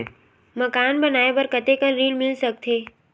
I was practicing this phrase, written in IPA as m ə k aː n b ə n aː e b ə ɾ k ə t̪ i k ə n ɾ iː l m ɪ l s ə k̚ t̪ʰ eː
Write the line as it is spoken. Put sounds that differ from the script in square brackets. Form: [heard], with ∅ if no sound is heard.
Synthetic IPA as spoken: m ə k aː n b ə n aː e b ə ɾ k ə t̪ [e] k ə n ɾ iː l m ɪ l s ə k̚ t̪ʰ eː